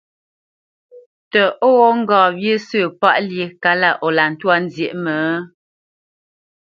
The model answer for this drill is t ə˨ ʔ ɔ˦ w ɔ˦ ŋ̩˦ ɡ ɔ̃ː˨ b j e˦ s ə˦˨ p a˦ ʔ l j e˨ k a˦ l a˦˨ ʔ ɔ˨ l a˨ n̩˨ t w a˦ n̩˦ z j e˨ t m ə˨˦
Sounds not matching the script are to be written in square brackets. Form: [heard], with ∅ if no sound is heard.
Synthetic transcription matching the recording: t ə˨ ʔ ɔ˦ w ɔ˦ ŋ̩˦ ɡ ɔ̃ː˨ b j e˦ s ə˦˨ p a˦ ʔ l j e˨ k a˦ l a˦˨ ʔ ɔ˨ l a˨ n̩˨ t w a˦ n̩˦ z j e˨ [ʔ] m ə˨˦

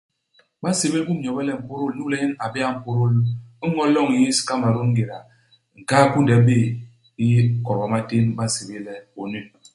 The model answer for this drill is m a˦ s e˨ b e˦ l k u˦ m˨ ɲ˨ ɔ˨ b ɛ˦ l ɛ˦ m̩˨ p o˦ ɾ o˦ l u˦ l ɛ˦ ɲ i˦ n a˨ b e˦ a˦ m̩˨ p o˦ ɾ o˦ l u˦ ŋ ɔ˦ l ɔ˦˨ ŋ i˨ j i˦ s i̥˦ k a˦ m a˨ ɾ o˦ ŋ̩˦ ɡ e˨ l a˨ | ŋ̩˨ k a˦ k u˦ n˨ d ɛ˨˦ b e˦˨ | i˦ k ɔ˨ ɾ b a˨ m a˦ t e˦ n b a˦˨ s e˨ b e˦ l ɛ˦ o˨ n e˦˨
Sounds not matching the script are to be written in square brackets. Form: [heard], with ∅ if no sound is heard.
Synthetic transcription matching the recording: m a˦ s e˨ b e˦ l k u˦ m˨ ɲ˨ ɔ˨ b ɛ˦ l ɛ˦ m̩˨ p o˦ ɾ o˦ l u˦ l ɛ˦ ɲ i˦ n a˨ b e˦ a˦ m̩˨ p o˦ ɾ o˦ l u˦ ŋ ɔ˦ l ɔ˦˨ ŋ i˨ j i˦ s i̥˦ k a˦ m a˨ ɾ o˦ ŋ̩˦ ɡ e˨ [ɾ] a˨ | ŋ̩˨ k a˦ k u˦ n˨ d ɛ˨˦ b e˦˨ | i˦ k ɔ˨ ɾ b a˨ m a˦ t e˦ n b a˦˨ s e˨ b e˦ l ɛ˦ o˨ n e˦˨

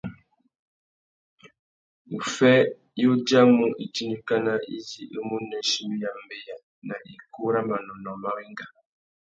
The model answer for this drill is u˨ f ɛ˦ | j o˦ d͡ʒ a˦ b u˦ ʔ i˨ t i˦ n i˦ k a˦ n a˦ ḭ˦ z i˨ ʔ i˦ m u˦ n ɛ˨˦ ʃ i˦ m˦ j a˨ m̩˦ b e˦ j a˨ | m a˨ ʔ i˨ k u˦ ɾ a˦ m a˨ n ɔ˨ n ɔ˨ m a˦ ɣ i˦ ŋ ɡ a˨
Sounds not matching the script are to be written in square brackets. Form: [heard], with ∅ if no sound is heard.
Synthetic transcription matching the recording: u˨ f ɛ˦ | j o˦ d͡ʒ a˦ [m] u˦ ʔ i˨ t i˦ n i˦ k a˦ n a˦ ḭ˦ z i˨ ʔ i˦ m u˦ n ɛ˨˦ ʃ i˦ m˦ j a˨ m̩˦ b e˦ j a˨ | [n] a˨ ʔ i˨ k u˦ ɾ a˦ m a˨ n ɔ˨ n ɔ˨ m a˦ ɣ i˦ ŋ ɡ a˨

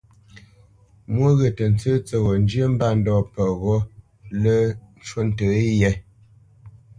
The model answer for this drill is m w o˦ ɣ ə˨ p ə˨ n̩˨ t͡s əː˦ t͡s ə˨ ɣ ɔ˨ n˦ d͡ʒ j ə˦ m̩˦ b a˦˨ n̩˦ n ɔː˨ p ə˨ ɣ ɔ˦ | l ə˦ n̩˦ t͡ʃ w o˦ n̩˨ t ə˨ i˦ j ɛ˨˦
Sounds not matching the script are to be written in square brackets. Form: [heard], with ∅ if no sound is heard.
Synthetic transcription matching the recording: m w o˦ ɣ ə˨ [t] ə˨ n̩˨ t͡s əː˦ t͡s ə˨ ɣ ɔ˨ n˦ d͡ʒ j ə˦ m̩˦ b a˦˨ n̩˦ [d] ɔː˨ p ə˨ ɣ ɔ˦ | l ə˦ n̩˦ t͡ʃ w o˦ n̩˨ t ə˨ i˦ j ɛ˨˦

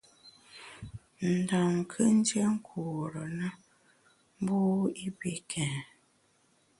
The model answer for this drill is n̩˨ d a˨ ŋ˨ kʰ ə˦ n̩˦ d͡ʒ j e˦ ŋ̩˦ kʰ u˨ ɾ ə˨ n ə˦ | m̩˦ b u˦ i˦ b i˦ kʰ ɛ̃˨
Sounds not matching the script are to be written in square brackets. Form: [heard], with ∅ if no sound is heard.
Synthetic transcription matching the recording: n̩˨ d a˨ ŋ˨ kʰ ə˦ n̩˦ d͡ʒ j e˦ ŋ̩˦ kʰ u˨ ɾ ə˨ n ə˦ | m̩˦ b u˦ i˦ b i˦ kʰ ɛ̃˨

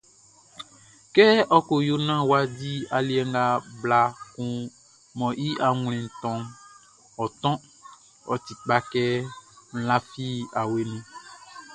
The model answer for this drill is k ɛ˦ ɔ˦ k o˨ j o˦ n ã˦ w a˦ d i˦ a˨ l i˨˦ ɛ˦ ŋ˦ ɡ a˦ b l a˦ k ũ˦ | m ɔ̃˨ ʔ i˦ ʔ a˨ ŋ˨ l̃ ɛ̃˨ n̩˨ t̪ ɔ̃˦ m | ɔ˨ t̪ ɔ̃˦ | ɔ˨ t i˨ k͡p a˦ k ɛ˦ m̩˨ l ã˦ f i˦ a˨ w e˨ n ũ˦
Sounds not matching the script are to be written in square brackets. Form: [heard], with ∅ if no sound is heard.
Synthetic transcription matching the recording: k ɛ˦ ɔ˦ k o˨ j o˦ n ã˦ w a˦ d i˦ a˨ l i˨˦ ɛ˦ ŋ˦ ɡ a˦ b l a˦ k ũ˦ | m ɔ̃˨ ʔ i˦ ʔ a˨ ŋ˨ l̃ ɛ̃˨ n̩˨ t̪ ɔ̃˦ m | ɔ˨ t̪ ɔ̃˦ | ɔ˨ t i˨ k͡p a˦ k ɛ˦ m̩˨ l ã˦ f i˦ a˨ w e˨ n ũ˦

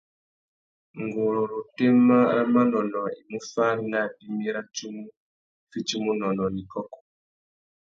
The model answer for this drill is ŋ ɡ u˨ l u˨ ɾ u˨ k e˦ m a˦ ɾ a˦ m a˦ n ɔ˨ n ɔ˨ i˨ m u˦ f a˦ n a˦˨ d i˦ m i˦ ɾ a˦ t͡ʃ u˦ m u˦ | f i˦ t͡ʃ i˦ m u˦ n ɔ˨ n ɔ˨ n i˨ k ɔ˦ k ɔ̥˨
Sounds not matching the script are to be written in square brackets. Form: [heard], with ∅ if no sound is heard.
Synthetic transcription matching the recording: ŋ ɡ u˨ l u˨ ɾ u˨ [t] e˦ m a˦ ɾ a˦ m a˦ n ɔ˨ n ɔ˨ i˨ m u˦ f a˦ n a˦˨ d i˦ m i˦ ɾ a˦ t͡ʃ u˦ m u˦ | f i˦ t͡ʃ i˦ m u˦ n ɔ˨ n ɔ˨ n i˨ k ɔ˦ k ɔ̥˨

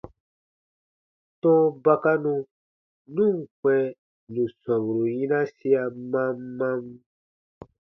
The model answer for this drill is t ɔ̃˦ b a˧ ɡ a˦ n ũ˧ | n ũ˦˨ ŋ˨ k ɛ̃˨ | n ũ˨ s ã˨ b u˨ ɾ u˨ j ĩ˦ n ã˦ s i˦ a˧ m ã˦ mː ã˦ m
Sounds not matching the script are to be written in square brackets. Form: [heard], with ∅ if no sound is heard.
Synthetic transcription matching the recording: t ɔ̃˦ b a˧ [k] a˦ n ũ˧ | n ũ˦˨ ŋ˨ k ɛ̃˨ | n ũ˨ s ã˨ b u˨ ɾ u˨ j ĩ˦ n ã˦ s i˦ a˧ m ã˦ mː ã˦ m

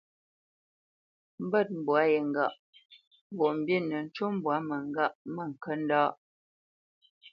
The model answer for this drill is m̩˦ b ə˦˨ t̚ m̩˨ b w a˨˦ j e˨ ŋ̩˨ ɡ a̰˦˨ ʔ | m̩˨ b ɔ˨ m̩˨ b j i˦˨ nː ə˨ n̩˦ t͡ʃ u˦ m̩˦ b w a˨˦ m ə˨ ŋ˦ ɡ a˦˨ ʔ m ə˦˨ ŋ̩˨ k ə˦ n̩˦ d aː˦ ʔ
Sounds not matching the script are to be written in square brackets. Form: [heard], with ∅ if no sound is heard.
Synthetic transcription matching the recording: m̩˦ b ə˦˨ t̚ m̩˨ b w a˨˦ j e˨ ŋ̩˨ ɡ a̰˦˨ ʔ | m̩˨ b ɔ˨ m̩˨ b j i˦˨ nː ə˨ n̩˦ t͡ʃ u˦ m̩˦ b w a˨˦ m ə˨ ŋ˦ ɡ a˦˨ ʔ m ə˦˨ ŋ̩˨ k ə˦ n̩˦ d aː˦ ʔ

